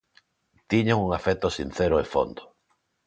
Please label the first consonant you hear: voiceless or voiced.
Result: voiceless